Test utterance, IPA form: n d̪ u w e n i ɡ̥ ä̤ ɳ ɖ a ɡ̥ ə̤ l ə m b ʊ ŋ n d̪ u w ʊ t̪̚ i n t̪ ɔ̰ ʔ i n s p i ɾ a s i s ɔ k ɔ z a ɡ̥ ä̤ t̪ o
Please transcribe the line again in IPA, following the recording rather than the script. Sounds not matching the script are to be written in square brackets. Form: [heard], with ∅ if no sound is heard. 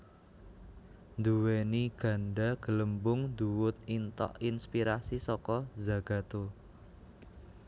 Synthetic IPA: n d̪ u w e n i ɡ̥ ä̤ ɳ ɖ a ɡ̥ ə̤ l ə m b ʊ ŋ n d̪ u w ʊ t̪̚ i n t̪ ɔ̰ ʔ i n s p i ɾ a s i s ɔ k ɔ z a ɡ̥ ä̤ t̪ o